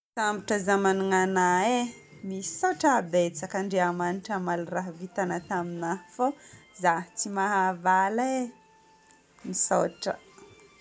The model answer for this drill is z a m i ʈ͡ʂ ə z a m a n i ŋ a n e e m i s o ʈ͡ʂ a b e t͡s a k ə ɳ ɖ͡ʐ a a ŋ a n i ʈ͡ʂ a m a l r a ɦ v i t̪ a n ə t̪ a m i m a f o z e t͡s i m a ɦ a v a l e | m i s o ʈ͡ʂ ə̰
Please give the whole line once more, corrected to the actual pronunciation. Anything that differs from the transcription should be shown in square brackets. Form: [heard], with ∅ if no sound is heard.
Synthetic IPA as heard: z a m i ʈ͡ʂ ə z a m a n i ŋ a n [a] e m i s o ʈ͡ʂ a b e t͡s a k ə ɳ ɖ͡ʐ [e] a [m] a n i ʈ͡ʂ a m a l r a ɦ v i t̪ a n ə t̪ a m i [n] a f o z [a] t͡s i m a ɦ a v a l e | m i s o ʈ͡ʂ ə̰